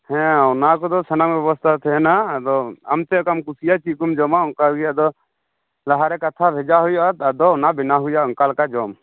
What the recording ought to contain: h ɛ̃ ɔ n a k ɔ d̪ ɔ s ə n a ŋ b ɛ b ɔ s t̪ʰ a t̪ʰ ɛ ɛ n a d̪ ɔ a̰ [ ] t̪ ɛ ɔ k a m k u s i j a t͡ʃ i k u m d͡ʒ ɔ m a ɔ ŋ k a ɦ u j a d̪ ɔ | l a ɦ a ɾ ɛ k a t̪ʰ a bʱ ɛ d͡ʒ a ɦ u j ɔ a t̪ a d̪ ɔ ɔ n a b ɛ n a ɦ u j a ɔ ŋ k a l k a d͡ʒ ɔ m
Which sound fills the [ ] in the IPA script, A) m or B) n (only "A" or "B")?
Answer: A